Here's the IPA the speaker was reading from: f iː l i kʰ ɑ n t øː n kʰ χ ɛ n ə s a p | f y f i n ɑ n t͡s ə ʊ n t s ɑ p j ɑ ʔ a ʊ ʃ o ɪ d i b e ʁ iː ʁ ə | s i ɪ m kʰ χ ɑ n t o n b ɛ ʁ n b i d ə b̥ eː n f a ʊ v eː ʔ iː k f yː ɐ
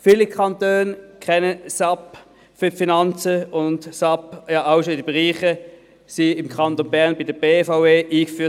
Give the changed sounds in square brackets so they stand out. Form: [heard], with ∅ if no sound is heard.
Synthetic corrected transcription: f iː l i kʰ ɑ n t øː n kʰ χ ɛ n ə s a p | f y f i n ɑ n t͡s ə ʊ n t s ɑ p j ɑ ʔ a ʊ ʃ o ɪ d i b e ʁ iː [χ] ə | s i ɪ m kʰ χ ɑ n t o n b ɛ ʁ n b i d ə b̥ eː [∅] f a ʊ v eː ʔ iː k f yː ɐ